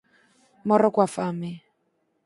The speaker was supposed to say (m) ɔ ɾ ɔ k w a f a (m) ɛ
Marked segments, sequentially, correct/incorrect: correct, correct

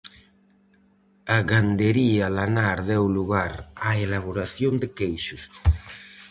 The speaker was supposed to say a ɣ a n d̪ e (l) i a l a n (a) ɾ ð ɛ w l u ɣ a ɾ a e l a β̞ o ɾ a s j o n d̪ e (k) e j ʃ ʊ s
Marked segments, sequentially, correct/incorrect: incorrect: ɾ, correct, correct

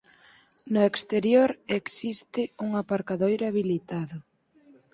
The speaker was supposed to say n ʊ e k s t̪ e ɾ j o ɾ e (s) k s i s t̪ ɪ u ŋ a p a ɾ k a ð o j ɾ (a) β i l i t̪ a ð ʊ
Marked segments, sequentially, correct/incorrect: incorrect: none, correct

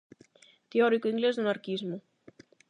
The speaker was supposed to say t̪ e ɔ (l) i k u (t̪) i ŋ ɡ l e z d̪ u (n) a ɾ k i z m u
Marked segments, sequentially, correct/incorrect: incorrect: ɾ, incorrect: none, correct

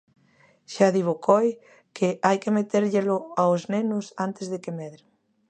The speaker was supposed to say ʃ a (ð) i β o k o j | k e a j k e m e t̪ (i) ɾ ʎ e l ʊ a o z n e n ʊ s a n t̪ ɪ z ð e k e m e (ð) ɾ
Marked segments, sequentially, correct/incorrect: correct, incorrect: e, correct

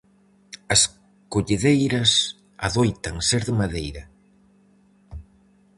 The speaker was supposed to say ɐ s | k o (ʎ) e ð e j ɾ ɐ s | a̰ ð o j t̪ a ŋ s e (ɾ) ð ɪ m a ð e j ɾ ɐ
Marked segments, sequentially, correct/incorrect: correct, correct

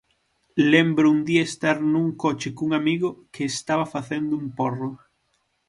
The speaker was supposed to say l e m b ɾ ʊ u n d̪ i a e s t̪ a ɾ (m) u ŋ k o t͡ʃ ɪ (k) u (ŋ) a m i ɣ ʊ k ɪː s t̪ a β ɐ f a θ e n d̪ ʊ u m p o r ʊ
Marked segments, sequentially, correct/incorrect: incorrect: n, correct, correct

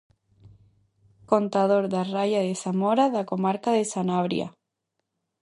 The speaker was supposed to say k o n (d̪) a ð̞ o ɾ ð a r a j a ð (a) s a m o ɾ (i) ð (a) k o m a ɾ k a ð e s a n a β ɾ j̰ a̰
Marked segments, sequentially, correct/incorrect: incorrect: t̪, incorrect: e, incorrect: a, correct

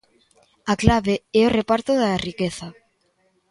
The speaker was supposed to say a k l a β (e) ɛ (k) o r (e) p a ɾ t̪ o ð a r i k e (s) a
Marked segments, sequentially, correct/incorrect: correct, incorrect: none, correct, incorrect: θ

